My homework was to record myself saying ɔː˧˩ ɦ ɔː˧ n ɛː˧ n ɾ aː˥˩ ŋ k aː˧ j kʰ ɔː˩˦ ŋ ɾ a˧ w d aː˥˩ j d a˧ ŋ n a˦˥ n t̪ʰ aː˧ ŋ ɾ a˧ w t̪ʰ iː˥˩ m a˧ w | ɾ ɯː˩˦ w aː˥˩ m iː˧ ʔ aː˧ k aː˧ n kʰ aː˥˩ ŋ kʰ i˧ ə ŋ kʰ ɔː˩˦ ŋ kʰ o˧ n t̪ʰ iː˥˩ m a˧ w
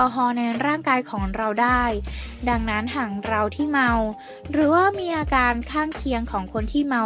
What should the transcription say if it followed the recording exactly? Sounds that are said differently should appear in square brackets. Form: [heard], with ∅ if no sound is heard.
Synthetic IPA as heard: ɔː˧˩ ɦ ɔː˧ n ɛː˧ n ɾ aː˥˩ ŋ k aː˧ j kʰ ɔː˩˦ ŋ ɾ a˧ w d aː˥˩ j d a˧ ŋ n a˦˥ n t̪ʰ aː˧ ŋ ɾ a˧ w t̪ʰ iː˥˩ m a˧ w | ɾ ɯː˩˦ w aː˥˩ m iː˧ ʔ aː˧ k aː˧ n kʰ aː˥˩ ŋ kʰ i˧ ə ŋ kʰ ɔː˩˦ ŋ kʰ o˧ n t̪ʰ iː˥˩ m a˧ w